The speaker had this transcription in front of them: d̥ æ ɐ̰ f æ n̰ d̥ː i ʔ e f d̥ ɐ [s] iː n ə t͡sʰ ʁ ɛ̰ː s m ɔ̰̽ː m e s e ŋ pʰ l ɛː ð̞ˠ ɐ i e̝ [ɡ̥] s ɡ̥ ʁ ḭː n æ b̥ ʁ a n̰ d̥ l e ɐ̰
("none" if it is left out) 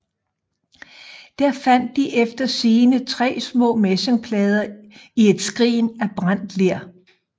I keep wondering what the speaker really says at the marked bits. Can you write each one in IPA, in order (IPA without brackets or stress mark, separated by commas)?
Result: s, d̥